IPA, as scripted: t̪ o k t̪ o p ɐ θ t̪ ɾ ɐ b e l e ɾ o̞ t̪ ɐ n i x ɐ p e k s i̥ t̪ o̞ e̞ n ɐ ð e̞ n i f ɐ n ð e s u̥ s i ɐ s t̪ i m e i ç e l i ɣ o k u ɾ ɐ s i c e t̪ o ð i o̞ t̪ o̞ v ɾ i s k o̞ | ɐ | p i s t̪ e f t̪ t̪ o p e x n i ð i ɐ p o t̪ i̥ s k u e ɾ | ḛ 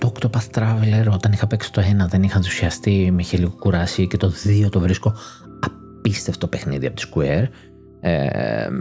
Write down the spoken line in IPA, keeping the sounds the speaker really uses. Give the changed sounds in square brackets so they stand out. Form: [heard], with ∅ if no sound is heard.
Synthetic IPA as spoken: t̪ o k t̪ o p ɐ θ t̪ ɾ ɐ [v] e l e ɾ o̞ t̪ ɐ n i x ɐ p e k s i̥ t̪ o̞ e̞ n ɐ ð e̞ n i [x] ɐ n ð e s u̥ s i ɐ s t̪ i m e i ç e l i ɣ o k u ɾ ɐ s i c e t̪ o ð i o̞ t̪ o̞ v ɾ i s k o̞ | ɐ | p i s t̪ e f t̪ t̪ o p e x n i ð i ɐ p o t̪ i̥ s k u e ɾ | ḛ